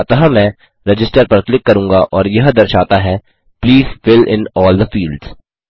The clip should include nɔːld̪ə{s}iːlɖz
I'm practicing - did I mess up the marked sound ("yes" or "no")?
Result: yes